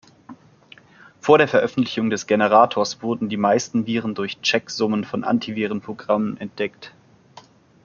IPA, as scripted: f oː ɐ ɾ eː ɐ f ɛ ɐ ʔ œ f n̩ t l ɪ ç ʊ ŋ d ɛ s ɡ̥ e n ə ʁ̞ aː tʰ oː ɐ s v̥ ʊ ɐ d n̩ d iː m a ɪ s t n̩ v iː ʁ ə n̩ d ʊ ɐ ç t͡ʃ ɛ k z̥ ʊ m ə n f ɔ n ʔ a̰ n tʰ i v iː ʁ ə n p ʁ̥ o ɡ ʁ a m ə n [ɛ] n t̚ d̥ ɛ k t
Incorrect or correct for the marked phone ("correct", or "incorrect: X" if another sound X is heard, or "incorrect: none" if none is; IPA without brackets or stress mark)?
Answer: correct